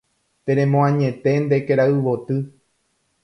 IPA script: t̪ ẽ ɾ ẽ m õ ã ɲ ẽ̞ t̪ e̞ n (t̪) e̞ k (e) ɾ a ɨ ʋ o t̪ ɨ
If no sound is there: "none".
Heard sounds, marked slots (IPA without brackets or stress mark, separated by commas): d̪, e